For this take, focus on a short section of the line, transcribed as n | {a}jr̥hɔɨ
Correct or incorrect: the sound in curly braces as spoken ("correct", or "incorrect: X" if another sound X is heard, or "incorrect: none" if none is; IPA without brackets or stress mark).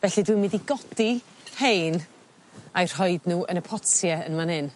correct